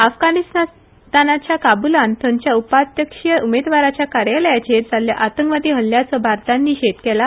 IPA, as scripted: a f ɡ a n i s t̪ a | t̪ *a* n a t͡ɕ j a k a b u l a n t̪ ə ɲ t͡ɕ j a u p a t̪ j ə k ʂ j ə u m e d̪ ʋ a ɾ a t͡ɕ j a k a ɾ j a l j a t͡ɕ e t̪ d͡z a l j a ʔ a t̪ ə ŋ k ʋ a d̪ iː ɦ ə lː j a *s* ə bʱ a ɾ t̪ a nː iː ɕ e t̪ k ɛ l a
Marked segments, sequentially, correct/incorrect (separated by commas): correct, incorrect